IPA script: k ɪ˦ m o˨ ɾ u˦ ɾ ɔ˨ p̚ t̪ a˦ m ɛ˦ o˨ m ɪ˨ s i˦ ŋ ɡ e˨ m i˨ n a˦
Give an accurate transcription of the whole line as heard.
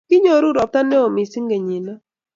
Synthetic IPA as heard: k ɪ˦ ɲ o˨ ɾ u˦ ɾ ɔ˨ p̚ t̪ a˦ n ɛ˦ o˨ m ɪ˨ s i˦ ŋ ɡ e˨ ɲ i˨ n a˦